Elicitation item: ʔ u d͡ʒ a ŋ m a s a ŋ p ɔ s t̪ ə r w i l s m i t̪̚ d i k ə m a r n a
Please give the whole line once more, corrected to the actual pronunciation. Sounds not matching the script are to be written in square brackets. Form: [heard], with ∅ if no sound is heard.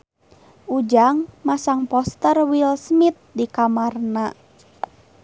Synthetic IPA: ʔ u d͡ʒ a ŋ m a s a ŋ p ɔ s t̪ ə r w i l s m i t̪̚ d i k [a] m a r n a